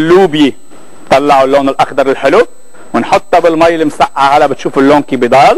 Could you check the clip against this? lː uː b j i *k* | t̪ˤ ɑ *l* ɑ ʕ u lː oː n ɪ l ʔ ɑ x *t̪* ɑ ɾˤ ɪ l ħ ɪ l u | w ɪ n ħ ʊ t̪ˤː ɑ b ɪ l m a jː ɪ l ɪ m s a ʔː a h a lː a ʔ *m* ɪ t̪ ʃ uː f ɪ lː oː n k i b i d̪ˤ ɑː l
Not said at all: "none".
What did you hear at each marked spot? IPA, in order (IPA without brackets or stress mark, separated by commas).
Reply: none, lː, d̪, b